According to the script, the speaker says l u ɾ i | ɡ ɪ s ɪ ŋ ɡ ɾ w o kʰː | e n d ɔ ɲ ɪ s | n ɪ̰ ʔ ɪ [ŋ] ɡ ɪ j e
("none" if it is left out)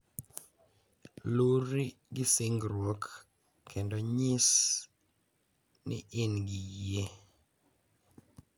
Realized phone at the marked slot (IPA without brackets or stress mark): n